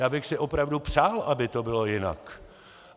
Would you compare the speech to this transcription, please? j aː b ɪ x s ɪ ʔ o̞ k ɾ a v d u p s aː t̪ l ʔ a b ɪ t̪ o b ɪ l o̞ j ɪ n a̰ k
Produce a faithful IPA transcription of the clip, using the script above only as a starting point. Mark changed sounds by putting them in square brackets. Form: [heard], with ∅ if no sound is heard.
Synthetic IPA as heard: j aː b ɪ x s ɪ ʔ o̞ [p] ɾ a v d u p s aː [∅] l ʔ a b ɪ t̪ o b ɪ l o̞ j ɪ n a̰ k